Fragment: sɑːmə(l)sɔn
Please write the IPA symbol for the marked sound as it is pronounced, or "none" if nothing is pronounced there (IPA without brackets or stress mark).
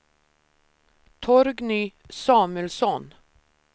l